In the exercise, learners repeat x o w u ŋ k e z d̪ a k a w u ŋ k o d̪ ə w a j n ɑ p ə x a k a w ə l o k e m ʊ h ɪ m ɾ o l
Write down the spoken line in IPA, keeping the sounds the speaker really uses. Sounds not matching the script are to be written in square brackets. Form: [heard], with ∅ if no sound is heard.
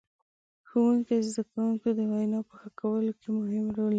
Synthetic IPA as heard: x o w u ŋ k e z d̪ a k a w u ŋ k o d̪ ə w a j n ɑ p ə x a k a w ə l o k e m ʊ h ɪ m ɾ o l